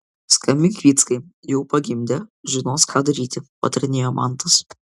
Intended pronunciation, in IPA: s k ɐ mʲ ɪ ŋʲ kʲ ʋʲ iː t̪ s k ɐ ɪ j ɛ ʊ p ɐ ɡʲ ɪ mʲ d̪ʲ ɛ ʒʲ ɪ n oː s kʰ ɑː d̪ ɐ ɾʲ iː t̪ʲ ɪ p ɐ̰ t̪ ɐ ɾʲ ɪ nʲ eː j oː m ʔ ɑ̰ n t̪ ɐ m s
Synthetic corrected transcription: s k ɐ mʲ ɪ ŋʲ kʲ ʋʲ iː t̪ s k ɐ ɪ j ɛ ʊ p ɐ ɡʲ ɪ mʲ d̪ʲ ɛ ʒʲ ɪ n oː s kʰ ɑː d̪ ɐ ɾʲ iː t̪ʲ ɪ p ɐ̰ t̪ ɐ ɾʲ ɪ nʲ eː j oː m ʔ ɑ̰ n t̪ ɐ s